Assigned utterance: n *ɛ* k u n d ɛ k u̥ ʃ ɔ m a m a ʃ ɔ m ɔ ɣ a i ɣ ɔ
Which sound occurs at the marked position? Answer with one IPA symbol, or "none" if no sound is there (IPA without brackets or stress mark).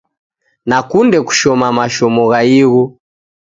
a